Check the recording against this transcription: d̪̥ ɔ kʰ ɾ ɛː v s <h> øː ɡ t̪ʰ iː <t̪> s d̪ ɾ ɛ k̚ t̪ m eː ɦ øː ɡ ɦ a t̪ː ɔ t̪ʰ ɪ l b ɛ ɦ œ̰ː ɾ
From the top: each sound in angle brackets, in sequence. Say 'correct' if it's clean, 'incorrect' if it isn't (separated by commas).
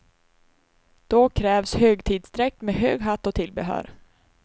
correct, incorrect